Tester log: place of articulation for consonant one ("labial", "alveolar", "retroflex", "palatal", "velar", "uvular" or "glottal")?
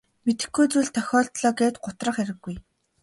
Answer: labial